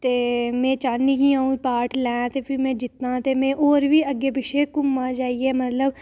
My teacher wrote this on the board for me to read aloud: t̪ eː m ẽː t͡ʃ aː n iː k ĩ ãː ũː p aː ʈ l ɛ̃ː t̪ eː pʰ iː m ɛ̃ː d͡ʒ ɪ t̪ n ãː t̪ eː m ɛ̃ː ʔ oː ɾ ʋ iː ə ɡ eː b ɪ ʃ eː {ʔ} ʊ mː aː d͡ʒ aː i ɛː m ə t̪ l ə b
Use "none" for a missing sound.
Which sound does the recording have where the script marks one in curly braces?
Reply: k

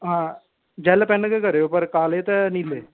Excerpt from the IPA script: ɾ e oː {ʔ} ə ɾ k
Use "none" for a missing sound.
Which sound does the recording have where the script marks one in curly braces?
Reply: p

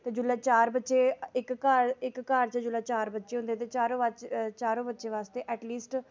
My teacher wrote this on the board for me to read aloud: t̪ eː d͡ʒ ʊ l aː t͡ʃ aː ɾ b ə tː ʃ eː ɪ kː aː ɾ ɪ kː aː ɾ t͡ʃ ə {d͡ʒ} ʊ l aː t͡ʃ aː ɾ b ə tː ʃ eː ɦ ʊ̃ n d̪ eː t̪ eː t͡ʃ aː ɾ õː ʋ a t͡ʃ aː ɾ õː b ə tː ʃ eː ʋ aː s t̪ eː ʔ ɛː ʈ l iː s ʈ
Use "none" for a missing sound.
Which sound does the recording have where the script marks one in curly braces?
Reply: d͡ʒ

